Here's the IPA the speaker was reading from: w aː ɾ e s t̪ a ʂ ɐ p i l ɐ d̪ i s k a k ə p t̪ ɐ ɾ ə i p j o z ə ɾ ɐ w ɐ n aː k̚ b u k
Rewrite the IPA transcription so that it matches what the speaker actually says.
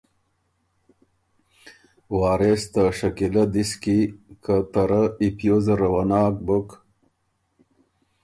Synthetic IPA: w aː ɾ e s t̪ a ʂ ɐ k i l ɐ d̪ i s k i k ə t̪ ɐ ɾ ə i p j o z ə ɾ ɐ w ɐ n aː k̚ b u k